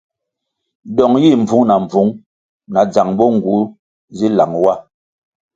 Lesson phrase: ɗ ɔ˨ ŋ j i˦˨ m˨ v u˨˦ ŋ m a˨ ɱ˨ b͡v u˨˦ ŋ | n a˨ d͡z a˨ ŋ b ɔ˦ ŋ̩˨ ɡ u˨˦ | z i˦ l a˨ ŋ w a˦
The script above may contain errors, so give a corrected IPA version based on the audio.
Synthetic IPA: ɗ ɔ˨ ŋ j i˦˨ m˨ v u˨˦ ŋ n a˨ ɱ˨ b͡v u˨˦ ŋ | n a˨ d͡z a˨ ŋ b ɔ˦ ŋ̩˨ ɡ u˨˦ | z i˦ l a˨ ŋ w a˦